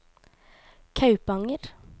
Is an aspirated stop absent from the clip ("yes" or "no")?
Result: no